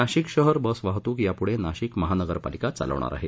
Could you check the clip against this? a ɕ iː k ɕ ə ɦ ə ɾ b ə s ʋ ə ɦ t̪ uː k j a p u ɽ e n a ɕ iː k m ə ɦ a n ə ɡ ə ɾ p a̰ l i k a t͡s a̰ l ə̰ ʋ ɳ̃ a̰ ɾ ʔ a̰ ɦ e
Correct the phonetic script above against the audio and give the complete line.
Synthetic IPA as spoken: a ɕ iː k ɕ ə ɦ ə ɾ b ə s ʋ a ɦ t̪ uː k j a p u ɽ e n a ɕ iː k m ə ɦ a n ə ɡ ə ɾ p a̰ l i k a t͡s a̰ l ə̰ ʋ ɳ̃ a̰ ɾ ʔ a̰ ɦ e